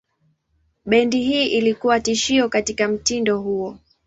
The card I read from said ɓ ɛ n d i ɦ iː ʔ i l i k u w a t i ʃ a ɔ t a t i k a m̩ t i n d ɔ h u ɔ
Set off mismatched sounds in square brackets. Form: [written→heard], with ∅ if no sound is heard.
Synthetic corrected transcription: ɓ ɛ n d i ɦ iː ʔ i l i k u w a t i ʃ [a→i] ɔ [t→k] a t i k a m̩ t i n d ɔ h u ɔ